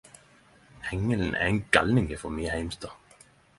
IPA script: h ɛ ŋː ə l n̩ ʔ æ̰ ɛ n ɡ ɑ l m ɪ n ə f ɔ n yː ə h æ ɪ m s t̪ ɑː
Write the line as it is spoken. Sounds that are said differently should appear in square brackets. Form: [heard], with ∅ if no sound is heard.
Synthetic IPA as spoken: h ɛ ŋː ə l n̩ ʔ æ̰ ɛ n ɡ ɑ l [n] ɪ [ŋ] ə f ɔ [m] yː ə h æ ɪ m s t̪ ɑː